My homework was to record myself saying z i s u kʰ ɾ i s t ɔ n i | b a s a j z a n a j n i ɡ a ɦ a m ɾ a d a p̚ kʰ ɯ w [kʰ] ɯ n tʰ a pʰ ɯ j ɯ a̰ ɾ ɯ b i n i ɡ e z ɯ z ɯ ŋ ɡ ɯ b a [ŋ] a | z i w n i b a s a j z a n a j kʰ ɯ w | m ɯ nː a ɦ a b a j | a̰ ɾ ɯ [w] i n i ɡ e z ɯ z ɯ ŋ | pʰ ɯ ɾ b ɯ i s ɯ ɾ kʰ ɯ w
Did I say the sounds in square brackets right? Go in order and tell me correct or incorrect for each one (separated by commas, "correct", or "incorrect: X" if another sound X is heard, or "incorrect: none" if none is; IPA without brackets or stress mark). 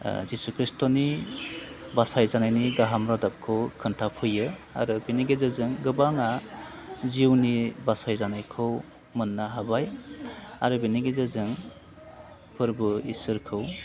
correct, correct, incorrect: b